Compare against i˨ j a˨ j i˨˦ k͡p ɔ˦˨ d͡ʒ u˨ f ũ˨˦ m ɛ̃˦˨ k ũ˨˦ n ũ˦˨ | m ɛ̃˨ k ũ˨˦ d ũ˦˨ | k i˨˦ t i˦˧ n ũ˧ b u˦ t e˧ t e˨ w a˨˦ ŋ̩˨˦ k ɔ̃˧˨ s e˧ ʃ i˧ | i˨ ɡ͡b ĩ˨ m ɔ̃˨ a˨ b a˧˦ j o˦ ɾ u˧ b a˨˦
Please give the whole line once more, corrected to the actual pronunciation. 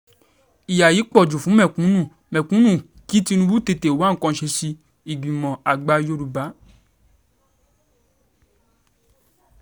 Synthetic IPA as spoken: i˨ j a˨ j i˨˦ k͡p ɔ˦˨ d͡ʒ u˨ f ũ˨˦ m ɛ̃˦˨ k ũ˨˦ n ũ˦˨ | m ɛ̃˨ k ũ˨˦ n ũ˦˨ | k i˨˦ t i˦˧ n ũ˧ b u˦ t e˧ t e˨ w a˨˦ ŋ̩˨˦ k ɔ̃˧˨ ʃ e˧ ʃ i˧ | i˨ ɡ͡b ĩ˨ m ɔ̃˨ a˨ ɡ͡b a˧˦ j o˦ ɾ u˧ b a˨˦

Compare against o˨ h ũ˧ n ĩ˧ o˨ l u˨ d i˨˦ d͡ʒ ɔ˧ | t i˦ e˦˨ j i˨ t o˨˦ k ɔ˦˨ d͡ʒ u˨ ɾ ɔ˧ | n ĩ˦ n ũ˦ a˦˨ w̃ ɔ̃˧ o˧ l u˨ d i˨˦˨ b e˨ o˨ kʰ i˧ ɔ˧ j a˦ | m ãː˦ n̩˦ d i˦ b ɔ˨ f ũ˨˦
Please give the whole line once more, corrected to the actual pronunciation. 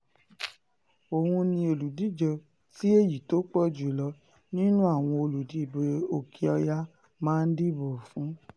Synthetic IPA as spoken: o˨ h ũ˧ n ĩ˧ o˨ l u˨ d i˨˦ d͡ʒ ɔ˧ | t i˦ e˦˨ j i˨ t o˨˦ k͡p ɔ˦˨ d͡ʒ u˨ l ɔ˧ | n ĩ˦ n ũ˦ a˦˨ w̃ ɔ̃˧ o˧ l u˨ d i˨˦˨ b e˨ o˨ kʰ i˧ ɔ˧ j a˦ | m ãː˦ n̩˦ d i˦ b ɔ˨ f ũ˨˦

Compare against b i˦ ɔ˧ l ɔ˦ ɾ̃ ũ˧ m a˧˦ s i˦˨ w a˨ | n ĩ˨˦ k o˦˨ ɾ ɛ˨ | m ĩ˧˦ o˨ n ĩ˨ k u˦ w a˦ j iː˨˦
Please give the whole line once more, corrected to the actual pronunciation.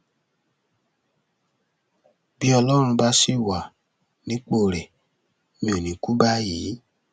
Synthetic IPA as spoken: b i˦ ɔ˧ l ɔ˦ ɾ̃ ũ˧ b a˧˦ s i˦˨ w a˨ | n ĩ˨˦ k͡p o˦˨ ɾ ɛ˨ | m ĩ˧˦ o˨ n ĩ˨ k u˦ b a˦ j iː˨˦

